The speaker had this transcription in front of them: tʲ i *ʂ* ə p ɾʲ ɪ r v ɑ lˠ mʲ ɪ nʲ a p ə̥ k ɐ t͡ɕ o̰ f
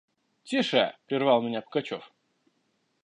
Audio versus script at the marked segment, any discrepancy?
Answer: no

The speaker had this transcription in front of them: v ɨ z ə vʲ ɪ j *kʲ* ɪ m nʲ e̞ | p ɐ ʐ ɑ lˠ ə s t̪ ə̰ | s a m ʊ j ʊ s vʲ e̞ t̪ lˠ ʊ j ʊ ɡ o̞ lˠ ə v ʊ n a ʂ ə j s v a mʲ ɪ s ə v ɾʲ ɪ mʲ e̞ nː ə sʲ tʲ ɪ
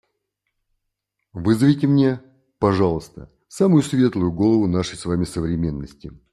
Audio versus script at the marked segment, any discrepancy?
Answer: yes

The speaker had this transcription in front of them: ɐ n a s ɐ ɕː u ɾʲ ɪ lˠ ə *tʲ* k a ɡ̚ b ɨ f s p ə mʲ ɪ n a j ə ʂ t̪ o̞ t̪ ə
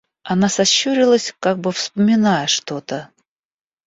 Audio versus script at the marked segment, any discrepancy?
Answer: yes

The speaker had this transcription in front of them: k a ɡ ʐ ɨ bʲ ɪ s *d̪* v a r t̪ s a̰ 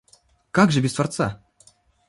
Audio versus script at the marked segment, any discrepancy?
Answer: yes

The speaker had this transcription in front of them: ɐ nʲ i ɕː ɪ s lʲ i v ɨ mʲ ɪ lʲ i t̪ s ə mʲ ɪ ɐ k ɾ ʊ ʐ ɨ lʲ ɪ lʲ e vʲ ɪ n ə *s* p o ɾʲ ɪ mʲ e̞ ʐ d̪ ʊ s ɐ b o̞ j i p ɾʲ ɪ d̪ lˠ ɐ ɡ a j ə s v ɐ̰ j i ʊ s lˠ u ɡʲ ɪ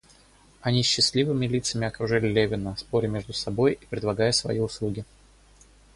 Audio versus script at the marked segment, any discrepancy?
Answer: no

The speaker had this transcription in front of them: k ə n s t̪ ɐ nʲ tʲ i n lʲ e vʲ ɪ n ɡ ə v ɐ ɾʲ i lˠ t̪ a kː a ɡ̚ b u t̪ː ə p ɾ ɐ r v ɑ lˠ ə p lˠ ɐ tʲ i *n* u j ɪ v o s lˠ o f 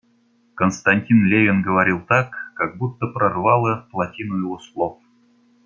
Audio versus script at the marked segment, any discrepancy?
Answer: no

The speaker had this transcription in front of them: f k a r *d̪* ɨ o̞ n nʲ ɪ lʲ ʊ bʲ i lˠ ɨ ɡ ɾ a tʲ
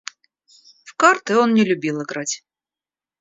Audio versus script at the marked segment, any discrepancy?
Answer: yes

